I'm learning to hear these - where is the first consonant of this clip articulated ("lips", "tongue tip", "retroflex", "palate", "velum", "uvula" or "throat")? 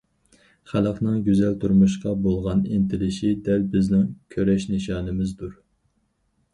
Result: uvula